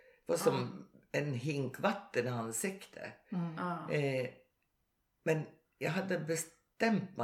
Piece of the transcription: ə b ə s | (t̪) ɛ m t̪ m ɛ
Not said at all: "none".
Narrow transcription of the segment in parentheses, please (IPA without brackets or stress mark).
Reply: t̪